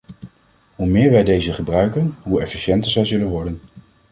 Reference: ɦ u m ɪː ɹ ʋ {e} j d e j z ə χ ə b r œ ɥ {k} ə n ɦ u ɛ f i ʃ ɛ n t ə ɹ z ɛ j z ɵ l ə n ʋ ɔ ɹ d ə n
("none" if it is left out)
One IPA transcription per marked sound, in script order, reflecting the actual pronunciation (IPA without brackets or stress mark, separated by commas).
ɛ, k